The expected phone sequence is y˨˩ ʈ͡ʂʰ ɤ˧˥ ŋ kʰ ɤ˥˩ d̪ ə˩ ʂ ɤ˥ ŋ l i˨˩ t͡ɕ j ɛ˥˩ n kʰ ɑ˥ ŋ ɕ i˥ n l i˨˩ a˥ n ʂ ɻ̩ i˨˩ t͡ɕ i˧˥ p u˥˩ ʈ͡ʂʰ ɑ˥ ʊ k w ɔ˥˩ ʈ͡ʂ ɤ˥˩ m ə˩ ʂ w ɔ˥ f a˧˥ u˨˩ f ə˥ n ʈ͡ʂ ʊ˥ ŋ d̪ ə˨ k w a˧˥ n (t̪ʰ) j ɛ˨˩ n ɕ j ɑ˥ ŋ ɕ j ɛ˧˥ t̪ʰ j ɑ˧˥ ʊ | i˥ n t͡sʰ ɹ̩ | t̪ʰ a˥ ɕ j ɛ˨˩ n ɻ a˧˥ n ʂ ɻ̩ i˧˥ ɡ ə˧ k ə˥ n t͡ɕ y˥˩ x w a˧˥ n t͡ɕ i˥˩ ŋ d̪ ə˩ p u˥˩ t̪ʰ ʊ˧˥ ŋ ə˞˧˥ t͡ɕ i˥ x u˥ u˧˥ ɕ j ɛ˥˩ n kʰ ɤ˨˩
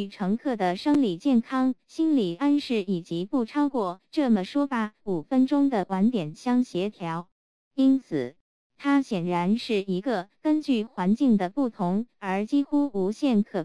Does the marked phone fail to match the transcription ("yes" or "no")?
yes